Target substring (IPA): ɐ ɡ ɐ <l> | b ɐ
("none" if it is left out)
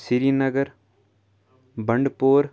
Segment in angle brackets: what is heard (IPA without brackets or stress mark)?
ɾ